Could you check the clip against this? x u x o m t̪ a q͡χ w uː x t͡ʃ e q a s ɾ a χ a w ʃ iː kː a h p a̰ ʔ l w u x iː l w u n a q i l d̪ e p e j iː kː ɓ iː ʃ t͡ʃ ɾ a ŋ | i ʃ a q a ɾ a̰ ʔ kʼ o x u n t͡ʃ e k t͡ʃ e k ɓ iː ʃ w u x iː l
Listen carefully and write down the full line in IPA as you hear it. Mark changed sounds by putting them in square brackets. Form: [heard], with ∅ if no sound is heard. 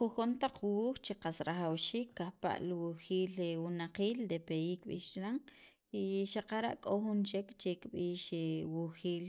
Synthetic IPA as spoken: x u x o [n] t̪ a q͡χ w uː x t͡ʃ e q a s ɾ a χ a w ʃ iː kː a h p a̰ ʔ l w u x iː l w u n a q [iː] l d̪ e p e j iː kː ɓ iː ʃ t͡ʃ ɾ a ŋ | i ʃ a q a ɾ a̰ ʔ kʼ o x u n t͡ʃ e k t͡ʃ e k ɓ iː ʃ w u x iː l